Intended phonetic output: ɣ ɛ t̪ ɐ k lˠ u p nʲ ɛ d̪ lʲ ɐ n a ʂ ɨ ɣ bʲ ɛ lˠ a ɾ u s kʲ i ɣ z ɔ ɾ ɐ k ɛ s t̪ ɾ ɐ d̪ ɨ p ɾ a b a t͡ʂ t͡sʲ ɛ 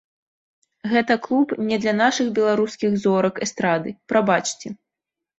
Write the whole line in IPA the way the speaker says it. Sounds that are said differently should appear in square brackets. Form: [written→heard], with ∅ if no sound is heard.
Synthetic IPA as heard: ɣ ɛ t̪ ɐ k lˠ u p nʲ ɛ d̪ lʲ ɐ n a ʂ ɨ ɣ bʲ ɛ lˠ a ɾ u s kʲ i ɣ z ɔ ɾ ɐ k ɛ s t̪ ɾ [ɐ→a] d̪ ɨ p ɾ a b a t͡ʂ t͡sʲ ɛ

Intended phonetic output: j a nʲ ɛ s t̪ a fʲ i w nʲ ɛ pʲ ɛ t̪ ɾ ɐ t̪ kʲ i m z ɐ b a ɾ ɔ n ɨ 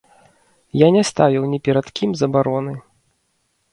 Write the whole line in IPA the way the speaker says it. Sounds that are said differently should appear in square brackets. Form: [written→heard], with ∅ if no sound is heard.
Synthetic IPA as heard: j a nʲ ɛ s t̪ a [fʲ→vʲ] i w nʲ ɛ pʲ ɛ [t̪→∅] ɾ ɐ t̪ kʲ i m z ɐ b a ɾ ɔ n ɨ

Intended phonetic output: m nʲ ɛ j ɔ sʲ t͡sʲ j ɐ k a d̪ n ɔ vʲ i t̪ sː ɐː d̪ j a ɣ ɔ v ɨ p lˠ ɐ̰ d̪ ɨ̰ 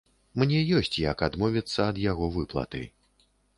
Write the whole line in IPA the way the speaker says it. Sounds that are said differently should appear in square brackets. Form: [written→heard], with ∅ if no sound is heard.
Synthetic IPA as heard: m nʲ ɛ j ɔ sʲ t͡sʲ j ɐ k a d̪ [n→m] ɔ vʲ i t̪ sː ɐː d̪ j a ɣ ɔ v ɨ p lˠ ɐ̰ [d̪→t̪] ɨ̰

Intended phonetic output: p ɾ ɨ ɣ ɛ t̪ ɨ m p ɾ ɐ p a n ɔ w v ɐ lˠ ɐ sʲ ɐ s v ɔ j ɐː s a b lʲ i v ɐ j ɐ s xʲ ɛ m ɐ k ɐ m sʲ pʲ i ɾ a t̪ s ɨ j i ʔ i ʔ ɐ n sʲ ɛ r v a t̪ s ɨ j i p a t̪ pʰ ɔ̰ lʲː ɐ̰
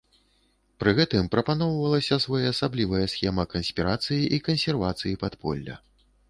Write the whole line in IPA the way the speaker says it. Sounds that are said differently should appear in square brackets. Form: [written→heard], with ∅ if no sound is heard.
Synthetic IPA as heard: p ɾ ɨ ɣ ɛ t̪ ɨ m p ɾ ɐ p a n ɔ w v ɐ lˠ ɐ sʲ ɐ s v ɔ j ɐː s a b lʲ i v ɐ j ɐ s xʲ ɛ m ɐ k ɐ [m→n] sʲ pʲ i ɾ a t̪ s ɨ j i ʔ i [ʔ→k] ɐ n sʲ ɛ r v a t̪ s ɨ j i p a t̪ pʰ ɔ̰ lʲː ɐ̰

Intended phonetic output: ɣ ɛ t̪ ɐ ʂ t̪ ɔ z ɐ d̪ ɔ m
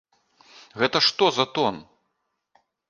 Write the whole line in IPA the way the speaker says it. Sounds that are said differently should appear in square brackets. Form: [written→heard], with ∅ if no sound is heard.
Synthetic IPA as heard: ɣ ɛ t̪ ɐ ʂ t̪ ɔ z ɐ [d̪→t̪] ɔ [m→n]

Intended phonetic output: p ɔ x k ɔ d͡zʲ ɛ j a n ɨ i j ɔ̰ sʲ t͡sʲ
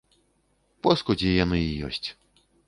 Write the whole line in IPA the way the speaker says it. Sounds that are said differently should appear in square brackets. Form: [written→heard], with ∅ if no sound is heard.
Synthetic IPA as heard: p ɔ [x→s] k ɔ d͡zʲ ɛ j a n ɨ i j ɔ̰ sʲ t͡sʲ

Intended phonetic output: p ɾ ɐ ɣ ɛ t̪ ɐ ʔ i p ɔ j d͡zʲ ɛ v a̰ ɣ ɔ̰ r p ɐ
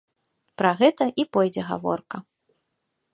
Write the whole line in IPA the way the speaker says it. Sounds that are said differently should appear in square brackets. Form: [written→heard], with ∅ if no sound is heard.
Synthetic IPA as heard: p ɾ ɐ ɣ ɛ t̪ ɐ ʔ i p ɔ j d͡zʲ ɛ [v→ɣ] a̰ [ɣ→v] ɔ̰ r [p→k] ɐ

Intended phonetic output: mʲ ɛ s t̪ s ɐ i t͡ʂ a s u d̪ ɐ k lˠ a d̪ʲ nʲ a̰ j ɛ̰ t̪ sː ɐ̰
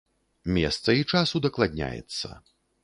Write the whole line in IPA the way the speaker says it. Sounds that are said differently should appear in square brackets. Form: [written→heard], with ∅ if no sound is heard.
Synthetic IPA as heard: mʲ ɛ s t̪ s ɐ i t͡ʂ a s u d̪ ɐ k lˠ a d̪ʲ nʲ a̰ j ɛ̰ t̪ sː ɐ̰

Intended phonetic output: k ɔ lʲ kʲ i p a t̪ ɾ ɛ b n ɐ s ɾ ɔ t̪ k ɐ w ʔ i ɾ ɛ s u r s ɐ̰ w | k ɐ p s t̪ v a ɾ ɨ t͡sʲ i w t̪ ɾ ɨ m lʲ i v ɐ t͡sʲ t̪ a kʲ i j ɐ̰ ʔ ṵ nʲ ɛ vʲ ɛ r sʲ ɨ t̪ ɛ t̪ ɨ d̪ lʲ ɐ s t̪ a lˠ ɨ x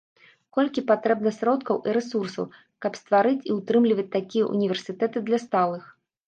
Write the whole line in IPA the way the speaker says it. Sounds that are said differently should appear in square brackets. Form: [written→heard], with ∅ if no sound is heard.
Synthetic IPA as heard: k ɔ lʲ kʲ i p a t̪ ɾ ɛ b n ɐ s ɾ ɔ t̪ k ɐ w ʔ i ɾ ɛ s u r s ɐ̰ w | k ɐ p s t̪ v a ɾ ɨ t͡sʲ i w t̪ ɾ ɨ m lʲ i v ɐ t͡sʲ t̪ a kʲ i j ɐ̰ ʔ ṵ nʲ [ɛ→i] vʲ ɛ r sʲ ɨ t̪ ɛ t̪ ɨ d̪ lʲ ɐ s t̪ a lˠ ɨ x

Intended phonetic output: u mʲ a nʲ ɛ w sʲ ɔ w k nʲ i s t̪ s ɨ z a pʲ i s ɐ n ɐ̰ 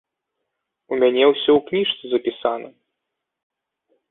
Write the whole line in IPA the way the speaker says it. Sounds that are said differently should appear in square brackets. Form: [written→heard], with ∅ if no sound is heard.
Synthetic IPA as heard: u mʲ a nʲ ɛ w sʲ ɔ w k nʲ i [s→ʂ] t̪ s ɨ z [a→ɐ] pʲ i s [ɐ→a] n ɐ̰

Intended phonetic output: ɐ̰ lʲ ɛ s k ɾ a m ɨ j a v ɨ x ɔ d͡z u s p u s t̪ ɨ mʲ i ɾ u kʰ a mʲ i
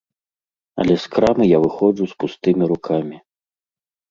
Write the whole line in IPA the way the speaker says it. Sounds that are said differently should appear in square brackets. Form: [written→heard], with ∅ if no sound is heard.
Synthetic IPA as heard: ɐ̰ lʲ ɛ s k ɾ a m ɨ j a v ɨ x ɔ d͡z u s p u s t̪ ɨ mʲ i ɾ u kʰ a mʲ i

